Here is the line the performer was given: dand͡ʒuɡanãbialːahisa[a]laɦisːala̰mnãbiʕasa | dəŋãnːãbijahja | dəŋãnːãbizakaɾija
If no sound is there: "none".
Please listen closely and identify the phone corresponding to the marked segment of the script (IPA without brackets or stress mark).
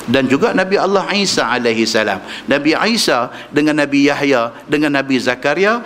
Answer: a